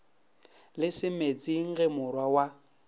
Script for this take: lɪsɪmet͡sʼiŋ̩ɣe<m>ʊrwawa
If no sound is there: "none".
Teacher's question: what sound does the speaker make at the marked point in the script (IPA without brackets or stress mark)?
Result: m